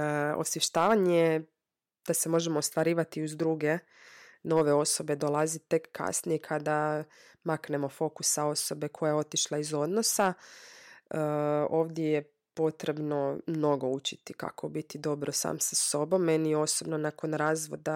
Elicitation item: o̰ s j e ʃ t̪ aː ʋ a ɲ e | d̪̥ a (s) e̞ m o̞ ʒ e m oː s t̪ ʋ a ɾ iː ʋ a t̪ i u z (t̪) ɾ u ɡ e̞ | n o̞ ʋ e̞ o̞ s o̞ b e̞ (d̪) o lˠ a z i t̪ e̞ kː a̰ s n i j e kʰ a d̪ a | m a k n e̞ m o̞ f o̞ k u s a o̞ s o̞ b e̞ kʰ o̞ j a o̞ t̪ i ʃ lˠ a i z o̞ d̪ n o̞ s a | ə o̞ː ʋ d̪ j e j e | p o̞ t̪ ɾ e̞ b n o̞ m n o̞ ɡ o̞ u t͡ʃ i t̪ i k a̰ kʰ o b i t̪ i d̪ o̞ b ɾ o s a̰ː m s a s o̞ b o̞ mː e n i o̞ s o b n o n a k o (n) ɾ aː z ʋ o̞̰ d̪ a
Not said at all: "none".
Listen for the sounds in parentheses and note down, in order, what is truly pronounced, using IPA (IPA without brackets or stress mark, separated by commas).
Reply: s, d̪, d̪, n